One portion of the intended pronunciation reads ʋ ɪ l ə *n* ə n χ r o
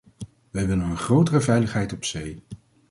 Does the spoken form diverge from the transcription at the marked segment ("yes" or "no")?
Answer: no